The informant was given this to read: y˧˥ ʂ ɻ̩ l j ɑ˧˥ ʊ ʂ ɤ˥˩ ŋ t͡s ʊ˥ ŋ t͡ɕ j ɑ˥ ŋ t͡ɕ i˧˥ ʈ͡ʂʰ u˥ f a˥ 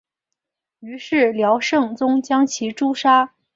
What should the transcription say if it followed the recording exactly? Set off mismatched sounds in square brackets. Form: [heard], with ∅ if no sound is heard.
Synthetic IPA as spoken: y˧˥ ʂ ɻ̩ l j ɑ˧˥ ʊ ʂ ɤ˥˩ ŋ t͡s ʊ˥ ŋ t͡ɕ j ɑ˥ ŋ [t͡ɕʰ] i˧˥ [ʈ͡ʂ] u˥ [ʂ] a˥